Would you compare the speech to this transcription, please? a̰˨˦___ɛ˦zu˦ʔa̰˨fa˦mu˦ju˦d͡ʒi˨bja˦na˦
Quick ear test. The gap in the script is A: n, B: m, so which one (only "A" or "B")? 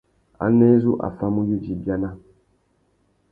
A